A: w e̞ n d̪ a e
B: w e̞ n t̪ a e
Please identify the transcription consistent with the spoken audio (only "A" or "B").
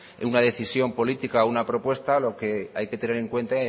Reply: B